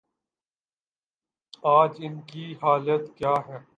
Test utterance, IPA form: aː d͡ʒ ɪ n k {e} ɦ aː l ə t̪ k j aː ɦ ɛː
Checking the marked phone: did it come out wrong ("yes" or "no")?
yes